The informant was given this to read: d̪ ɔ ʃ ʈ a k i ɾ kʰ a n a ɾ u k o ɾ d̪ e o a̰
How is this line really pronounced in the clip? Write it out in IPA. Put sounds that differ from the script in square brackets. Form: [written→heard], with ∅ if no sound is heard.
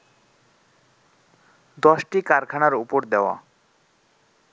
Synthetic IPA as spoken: d̪ ɔ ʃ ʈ [a→i] k [i→a] ɾ kʰ a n a ɾ u [k→p] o ɾ d̪ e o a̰